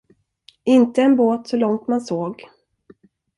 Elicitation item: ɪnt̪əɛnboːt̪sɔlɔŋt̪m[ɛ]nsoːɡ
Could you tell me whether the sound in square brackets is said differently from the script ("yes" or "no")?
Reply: yes